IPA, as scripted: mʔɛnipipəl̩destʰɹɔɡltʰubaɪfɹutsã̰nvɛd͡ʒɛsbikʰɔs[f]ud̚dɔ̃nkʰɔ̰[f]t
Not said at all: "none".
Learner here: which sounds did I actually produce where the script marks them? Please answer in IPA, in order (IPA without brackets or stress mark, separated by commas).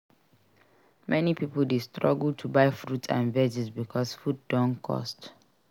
f, s